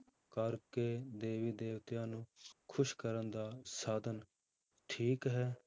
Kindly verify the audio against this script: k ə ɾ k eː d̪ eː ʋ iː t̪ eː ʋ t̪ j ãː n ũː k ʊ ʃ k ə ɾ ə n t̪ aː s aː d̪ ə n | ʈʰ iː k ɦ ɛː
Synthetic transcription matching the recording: k ə ɾ k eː d̪ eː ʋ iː d̪ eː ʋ t̪ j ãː n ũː kʰ ʊ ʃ k ə ɾ ə n d̪ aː s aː d̪ ə n | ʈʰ iː k ɦ ɛː